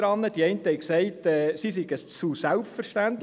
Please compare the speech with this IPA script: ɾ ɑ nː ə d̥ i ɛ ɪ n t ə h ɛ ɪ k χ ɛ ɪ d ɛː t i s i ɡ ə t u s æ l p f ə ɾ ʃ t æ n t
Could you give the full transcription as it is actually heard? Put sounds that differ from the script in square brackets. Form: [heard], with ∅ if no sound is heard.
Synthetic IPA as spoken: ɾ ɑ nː ə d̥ i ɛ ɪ n t ə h ɛ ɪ k [s] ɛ ɪ [t] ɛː [s] i s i ɡ ə [t͡s] u s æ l p f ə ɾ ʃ t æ n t